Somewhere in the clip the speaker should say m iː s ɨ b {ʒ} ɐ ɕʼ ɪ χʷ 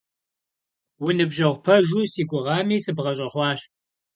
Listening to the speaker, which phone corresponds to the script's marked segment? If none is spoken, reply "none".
ʁ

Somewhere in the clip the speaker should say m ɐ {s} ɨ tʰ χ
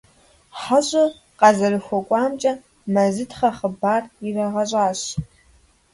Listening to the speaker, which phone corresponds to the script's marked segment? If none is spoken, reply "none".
z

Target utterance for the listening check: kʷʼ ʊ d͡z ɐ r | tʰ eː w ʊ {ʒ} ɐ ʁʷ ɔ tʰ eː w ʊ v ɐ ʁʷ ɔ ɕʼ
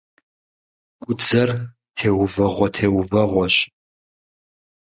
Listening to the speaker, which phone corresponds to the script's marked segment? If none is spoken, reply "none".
v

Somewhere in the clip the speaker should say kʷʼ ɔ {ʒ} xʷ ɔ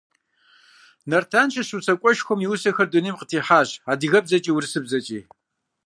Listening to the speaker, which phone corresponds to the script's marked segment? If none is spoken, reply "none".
ʃ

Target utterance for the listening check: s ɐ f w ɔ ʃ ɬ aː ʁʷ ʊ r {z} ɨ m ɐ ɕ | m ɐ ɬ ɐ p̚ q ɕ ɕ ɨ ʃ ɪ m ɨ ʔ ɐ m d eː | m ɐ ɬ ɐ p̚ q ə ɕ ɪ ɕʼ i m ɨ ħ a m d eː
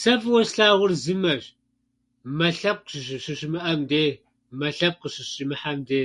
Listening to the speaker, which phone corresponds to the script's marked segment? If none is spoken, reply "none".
z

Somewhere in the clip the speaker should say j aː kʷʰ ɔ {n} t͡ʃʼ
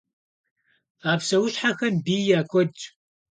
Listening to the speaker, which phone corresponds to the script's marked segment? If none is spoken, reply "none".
d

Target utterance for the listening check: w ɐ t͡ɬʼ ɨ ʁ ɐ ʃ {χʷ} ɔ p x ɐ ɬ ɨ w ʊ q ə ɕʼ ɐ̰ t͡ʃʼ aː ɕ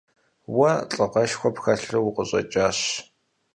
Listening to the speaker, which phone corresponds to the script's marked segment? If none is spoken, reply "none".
xʷ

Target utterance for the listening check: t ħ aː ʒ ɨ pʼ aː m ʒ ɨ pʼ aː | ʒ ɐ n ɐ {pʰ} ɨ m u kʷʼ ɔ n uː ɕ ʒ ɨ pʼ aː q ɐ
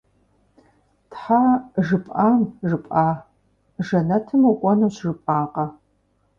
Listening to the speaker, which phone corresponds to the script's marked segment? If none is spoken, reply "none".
tʰ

